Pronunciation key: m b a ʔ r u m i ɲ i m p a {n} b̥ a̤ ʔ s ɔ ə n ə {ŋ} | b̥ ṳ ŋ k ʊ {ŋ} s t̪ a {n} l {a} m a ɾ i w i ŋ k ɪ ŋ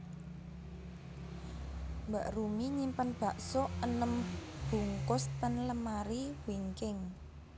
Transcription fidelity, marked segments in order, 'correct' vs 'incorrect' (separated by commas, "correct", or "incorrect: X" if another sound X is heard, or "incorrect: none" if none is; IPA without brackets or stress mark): correct, incorrect: m, incorrect: none, correct, incorrect: ə